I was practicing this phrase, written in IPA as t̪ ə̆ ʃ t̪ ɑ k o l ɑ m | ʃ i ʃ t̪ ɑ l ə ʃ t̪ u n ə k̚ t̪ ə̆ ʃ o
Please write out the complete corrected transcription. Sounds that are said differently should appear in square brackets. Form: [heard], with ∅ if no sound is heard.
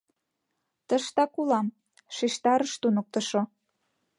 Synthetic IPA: t̪ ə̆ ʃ t̪ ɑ k [u] l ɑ m | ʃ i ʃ t̪ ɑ [ɾ] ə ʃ t̪ u n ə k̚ t̪ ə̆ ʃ o